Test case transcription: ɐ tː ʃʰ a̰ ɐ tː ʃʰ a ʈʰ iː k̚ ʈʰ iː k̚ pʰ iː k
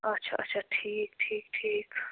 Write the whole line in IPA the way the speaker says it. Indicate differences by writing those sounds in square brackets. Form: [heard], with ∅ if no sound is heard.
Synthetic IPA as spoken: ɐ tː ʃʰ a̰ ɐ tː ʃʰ a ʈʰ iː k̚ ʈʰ iː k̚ [ʈʰ] iː k